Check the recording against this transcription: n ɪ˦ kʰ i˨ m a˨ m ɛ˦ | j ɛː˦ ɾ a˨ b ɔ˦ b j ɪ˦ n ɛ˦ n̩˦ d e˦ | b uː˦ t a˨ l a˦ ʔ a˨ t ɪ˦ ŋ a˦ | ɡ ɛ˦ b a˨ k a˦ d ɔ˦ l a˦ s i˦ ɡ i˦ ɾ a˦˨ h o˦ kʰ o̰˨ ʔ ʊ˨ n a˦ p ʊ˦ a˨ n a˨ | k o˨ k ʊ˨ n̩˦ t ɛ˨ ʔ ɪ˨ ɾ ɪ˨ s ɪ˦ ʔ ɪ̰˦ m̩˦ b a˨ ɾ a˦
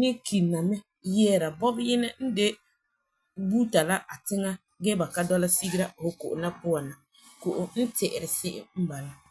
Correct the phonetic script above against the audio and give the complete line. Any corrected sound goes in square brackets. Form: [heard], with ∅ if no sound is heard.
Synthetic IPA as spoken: n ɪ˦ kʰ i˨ [n] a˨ m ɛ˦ | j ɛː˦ ɾ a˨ b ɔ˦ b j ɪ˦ n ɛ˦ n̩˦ d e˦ | b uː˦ t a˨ l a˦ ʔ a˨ t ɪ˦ ŋ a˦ | ɡ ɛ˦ b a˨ k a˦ d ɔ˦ l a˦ s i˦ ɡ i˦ ɾ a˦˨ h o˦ [k] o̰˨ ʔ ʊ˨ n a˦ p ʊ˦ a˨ n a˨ | k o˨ [ʔ] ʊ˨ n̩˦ t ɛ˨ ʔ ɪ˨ ɾ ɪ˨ s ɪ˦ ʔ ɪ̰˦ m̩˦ b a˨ [l] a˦